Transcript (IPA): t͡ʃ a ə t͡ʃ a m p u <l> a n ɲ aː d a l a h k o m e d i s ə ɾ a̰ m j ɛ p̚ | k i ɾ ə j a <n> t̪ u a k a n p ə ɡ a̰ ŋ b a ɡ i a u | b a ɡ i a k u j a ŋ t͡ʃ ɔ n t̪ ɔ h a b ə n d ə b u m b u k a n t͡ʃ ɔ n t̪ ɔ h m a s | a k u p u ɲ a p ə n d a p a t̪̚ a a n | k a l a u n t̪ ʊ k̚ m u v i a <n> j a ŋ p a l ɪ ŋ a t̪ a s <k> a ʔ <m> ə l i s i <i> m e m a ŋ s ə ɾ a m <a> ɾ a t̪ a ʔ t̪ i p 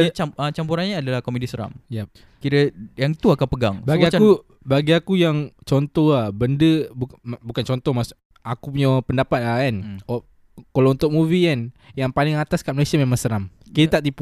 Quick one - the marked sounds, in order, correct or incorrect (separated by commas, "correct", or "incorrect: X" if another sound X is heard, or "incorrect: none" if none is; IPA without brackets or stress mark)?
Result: incorrect: ɾ, incorrect: ŋ, correct, correct, correct, incorrect: a, incorrect: i